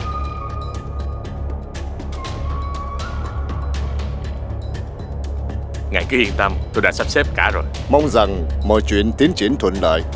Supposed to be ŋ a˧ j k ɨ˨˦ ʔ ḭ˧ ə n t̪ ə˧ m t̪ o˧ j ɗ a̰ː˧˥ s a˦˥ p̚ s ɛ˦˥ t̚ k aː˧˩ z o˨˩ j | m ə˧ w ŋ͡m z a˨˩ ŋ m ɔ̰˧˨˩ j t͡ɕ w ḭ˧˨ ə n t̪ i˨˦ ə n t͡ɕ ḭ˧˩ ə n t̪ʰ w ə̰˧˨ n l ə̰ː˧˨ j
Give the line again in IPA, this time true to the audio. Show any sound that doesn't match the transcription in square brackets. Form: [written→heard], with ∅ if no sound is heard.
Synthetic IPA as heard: ŋ [a˧→a˨˩] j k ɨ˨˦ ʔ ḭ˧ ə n t̪ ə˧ m t̪ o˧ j ɗ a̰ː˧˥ s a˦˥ p̚ s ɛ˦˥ [t̚→p̚] k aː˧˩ z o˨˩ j | m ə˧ w ŋ͡m z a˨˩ ŋ m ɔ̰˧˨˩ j t͡ɕ w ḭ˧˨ ə n t̪ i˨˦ ə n t͡ɕ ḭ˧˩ ə n t̪ʰ w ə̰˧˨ n l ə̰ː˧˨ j